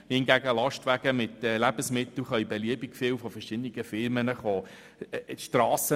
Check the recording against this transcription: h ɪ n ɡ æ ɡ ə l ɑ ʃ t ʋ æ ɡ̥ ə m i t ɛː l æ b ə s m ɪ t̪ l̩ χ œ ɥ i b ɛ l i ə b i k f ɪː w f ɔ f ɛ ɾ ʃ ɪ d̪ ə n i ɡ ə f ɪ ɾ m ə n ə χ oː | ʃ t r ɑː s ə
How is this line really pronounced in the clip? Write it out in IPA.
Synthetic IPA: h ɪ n ɡ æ ɡ ə l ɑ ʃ t ʋ æ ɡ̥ ə m ɪ t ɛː l æ b ə s m ɪ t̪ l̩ χ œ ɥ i b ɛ l i ə b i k f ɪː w f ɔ f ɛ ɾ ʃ ɪ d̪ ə n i ɡ ə f ɪ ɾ m ə n ə χ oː | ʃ t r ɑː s ə